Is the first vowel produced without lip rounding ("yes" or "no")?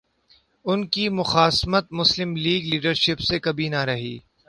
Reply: no